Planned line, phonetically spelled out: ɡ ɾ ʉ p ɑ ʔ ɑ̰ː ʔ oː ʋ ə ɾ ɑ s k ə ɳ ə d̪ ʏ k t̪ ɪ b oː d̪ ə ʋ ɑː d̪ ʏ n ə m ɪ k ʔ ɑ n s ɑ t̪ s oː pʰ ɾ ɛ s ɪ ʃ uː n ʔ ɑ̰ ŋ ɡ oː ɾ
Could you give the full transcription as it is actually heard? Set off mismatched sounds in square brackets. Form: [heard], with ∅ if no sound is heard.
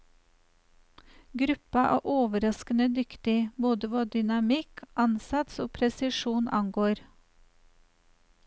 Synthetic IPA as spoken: ɡ ɾ ʉ p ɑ ʔ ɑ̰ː ʔ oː ʋ ə ɾ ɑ s k ə [n] ə d̪ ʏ k t̪ ɪ b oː d̪ ə ʋ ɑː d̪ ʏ n [ɑ] m ɪ k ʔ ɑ n s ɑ t̪ s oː pʰ ɾ ɛ s ɪ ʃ uː n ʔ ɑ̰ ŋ ɡ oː ɾ

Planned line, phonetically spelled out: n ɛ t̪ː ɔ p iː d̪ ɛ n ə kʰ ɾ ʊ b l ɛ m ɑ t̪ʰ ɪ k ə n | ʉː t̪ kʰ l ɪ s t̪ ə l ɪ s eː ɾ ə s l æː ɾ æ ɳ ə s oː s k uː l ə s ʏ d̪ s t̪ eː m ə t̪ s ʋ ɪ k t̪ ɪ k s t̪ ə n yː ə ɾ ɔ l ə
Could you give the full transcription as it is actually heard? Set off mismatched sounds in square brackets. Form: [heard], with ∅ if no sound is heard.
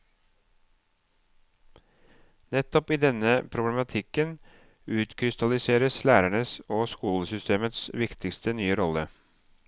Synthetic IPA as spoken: n ɛ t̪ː ɔ p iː d̪ ɛ n ə [pʰ] ɾ ʊ b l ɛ m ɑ t̪ʰ ɪ k ə n | ʉː t̪ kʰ [ɾ] ɪ s t̪ [ɑ] l ɪ s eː ɾ ə s l æː ɾ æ ɳ ə s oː s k uː l ə s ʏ [∅] s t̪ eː m ə t̪ s ʋ ɪ k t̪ ɪ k s t̪ ə n yː ə ɾ ɔ l ə

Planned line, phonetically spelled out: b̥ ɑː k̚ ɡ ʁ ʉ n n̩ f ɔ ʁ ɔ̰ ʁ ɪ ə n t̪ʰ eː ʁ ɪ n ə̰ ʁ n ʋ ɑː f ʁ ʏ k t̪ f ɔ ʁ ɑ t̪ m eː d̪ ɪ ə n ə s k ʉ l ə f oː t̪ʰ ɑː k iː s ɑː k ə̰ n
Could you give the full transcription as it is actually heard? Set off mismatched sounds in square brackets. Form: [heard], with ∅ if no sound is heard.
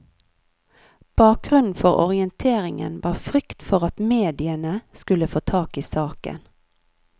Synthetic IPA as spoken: b̥ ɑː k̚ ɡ ʁ ʉ n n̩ f ɔ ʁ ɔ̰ ʁ ɪ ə n t̪ʰ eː ʁ ɪ [ŋ] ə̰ [∅] n ʋ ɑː f ʁ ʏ k t̪ f ɔ ʁ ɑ t̪ m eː d̪ ɪ ə n ə s k ʉ l ə f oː t̪ʰ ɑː k iː s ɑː k ə̰ n

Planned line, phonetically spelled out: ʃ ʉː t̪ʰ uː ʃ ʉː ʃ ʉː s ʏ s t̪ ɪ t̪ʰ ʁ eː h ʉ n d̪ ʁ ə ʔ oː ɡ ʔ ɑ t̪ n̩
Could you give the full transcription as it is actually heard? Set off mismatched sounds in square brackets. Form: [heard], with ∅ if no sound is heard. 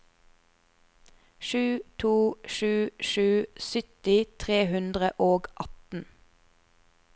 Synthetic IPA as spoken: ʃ ʉː t̪ʰ uː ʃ ʉː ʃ ʉː s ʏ [∅] t̪ ɪ t̪ʰ ʁ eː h ʉ n d̪ ʁ ə ʔ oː ɡ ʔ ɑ t̪ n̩

